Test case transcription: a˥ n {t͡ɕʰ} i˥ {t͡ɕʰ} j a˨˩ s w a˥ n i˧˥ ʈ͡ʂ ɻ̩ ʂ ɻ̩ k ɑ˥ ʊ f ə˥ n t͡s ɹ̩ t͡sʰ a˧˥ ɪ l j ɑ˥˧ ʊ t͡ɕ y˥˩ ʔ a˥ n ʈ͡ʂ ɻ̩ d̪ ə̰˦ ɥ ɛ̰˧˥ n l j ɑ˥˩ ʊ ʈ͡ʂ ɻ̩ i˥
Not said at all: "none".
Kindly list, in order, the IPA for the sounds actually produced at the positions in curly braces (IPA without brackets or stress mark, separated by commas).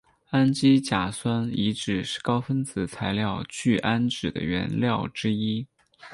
t͡ɕ, t͡ɕ